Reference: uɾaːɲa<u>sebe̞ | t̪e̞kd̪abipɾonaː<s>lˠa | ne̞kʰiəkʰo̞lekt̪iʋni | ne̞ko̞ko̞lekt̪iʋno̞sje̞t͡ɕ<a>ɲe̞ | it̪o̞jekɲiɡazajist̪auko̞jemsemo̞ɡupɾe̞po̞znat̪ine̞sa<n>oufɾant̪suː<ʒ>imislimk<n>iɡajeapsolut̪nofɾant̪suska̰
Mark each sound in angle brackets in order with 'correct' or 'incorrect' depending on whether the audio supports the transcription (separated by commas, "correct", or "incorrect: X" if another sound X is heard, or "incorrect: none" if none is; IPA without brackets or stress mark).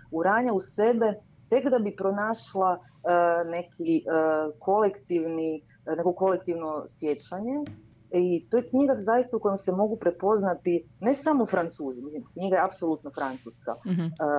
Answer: correct, incorrect: ʃ, correct, incorrect: m, incorrect: z, incorrect: ɲ